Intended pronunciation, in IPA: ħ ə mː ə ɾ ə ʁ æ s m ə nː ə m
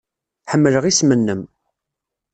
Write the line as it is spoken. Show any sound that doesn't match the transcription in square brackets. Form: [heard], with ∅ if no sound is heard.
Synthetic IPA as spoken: ħ ə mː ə [l] ə ʁ [i] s m ə nː ə m